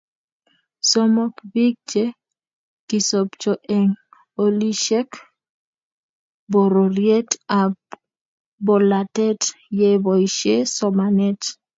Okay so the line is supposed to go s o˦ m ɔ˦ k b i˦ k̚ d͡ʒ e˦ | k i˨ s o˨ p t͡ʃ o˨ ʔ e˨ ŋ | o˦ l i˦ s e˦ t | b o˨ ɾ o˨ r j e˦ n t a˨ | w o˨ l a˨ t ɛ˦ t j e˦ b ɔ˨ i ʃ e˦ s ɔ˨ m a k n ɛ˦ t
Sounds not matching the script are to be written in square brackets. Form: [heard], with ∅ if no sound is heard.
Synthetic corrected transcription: s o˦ m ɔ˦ k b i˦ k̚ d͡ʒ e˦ | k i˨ s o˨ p t͡ʃ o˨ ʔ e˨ ŋ | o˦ l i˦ [ʃ] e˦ [k] | b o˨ ɾ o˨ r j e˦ [∅] t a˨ | [b] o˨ l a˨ t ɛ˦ t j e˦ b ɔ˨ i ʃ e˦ s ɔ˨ m a [∅] n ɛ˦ t